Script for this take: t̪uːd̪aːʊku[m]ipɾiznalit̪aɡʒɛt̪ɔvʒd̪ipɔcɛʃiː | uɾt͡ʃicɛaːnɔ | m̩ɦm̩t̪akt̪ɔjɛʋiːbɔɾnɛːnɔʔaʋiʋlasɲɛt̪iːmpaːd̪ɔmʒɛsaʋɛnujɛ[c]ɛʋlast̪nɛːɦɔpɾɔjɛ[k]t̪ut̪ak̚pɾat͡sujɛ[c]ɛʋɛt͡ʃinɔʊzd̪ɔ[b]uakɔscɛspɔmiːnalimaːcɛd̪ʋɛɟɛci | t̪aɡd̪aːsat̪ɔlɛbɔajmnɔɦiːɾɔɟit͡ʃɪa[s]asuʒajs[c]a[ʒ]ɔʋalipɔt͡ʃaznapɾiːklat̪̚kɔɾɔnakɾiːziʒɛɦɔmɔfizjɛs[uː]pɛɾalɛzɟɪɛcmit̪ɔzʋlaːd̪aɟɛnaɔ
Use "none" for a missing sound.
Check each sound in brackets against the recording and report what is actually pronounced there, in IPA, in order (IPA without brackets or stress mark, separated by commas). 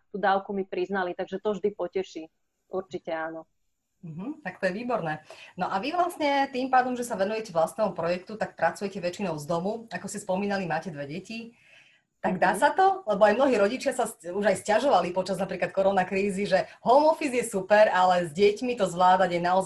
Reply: m, c, k, c, m, s, c, ʒ, u